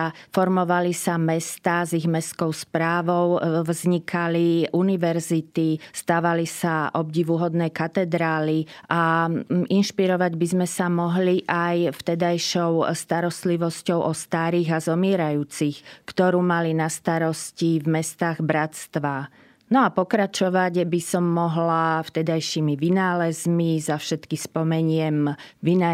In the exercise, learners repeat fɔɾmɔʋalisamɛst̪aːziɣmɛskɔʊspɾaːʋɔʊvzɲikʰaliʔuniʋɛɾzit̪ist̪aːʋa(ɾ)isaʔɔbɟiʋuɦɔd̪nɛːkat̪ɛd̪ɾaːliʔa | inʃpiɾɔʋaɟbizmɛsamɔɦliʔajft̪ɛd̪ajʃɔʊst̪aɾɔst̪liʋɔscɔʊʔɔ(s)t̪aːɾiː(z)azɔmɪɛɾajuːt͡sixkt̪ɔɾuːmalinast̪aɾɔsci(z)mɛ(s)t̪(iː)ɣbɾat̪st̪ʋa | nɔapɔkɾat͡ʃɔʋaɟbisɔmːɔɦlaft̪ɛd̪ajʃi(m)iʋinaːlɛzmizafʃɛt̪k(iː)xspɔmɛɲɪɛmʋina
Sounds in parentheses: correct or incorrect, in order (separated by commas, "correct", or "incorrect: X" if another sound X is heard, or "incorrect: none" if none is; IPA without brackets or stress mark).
incorrect: l, correct, incorrect: ɣ, incorrect: v, correct, incorrect: aː, correct, incorrect: i